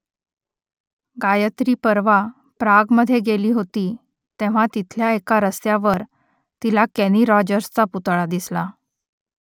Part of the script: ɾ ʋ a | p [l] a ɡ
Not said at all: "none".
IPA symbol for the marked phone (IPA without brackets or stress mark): ɾ